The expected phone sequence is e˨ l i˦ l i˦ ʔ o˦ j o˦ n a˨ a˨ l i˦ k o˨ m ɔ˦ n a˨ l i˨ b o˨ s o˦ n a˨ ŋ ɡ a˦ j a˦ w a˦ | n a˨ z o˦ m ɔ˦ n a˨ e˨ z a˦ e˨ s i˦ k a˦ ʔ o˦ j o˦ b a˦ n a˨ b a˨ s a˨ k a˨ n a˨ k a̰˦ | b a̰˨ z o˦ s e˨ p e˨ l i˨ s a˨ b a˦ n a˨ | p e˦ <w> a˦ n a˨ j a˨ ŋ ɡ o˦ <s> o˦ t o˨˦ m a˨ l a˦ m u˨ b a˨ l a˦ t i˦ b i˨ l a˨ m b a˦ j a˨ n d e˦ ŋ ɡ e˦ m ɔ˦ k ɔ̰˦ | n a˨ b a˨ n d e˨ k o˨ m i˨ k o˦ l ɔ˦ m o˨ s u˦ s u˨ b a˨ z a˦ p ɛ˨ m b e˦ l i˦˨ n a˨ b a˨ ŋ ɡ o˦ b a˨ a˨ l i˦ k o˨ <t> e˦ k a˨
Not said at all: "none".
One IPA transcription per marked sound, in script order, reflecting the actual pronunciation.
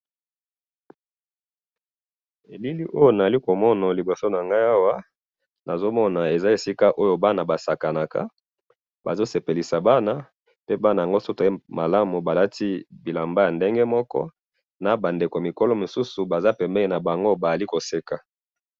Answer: b, s, s

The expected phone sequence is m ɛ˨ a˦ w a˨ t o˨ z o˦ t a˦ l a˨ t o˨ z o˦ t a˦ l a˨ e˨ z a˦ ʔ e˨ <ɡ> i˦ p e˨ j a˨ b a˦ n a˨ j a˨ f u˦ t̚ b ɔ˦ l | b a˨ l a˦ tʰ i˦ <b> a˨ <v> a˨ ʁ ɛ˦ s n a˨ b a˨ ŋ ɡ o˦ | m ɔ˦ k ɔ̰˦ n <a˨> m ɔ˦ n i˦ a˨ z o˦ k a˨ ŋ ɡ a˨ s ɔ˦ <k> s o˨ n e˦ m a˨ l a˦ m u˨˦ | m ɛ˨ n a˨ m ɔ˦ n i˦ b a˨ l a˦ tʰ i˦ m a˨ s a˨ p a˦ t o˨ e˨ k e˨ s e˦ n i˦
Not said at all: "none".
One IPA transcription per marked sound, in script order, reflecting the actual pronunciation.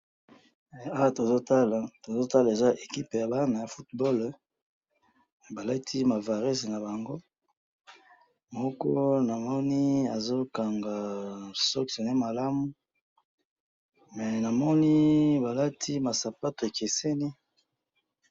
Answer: k, m, v, a˨, k

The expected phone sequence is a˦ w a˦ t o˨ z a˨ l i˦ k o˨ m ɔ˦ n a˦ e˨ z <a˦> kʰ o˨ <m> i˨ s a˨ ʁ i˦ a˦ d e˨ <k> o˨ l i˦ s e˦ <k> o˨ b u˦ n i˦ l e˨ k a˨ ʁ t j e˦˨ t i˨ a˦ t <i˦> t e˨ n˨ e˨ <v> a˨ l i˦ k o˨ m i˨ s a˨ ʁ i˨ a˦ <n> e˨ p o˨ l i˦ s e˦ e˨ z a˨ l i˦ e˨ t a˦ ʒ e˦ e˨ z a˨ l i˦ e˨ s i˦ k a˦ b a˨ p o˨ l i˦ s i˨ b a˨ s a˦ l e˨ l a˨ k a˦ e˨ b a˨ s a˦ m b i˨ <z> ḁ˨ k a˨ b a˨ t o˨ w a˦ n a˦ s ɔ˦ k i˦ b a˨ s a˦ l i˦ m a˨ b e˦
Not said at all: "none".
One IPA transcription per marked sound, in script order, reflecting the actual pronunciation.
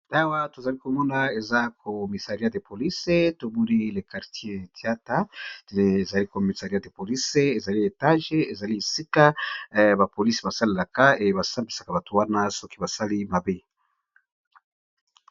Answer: a˦, m, p, t, a˦, z, d, s

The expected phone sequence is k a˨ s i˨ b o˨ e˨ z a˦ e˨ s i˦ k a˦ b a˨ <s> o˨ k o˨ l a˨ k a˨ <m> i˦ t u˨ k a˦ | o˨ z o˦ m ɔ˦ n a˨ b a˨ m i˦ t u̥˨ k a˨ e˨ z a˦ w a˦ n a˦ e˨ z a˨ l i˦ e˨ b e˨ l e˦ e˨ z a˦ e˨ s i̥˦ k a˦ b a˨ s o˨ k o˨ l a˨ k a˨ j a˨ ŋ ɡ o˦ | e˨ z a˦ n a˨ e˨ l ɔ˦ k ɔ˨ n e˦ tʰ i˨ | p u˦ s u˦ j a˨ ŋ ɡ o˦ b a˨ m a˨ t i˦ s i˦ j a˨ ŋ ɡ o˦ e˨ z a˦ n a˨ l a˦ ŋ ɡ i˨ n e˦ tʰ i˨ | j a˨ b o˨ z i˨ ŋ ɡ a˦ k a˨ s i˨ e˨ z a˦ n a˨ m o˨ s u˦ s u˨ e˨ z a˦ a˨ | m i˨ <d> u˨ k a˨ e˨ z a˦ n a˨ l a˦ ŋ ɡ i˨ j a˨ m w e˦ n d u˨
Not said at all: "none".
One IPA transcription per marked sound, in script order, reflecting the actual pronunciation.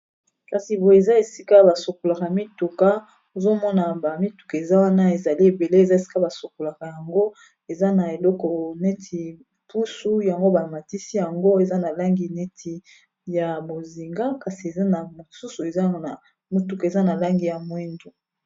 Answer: s, m, t

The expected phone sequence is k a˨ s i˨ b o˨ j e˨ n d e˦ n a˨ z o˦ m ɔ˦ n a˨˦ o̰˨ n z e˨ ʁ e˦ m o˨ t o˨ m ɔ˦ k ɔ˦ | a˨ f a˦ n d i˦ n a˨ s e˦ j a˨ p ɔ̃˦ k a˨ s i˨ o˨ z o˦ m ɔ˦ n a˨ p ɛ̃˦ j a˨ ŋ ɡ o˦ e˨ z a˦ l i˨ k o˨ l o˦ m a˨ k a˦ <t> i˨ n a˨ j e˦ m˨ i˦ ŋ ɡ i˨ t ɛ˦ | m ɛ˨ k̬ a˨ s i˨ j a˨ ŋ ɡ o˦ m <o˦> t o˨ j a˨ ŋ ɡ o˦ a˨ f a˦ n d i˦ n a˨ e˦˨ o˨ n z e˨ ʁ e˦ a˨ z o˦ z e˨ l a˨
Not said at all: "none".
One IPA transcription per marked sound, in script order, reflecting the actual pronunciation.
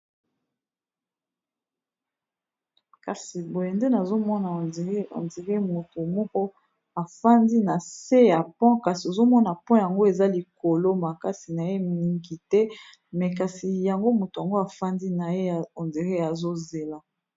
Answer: s, o˨

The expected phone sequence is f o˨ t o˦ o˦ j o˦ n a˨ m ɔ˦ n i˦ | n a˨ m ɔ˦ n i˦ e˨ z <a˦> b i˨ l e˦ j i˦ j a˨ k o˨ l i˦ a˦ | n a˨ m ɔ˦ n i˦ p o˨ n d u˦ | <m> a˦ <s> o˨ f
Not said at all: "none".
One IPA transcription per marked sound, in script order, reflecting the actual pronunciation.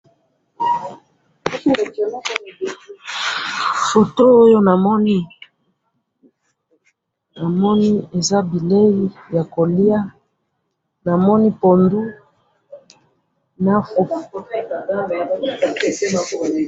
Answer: a˦, n, f

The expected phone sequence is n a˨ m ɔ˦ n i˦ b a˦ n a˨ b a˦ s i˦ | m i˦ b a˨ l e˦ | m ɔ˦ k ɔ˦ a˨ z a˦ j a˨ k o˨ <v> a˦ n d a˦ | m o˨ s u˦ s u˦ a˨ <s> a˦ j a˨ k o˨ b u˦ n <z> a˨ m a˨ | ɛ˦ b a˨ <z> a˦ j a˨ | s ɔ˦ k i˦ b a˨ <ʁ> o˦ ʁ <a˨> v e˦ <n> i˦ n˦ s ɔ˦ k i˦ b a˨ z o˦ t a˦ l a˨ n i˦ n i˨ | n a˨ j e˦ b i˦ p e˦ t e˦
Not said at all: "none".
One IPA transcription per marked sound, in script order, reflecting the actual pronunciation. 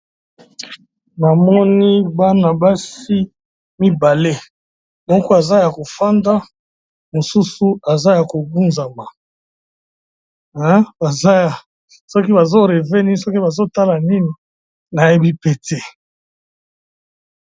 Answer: f, z, z, z, z, e˨, n

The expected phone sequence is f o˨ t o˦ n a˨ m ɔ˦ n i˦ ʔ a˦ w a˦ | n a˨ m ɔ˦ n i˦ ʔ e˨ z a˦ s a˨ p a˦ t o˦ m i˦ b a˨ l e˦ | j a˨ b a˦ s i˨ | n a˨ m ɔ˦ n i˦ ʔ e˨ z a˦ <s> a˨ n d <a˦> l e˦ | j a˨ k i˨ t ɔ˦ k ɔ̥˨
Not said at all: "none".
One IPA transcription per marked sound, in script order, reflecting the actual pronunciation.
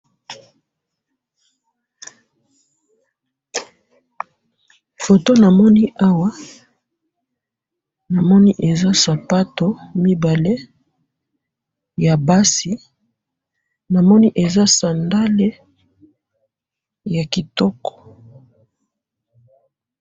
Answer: s, a˦

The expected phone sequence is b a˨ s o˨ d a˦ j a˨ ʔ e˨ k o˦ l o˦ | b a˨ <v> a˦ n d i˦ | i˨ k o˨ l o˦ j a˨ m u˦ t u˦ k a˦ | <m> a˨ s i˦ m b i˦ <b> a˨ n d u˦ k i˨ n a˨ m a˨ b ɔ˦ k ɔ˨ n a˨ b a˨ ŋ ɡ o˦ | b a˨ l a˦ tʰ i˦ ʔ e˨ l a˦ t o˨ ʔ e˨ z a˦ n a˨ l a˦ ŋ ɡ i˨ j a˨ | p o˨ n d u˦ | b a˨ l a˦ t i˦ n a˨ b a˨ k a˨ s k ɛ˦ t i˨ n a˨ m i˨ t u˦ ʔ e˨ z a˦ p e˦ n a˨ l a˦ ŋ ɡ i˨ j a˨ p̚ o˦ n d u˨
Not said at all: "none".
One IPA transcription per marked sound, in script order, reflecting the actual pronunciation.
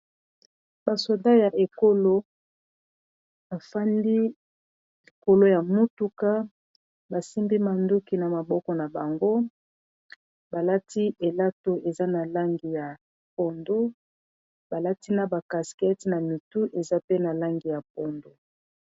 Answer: f, b, m

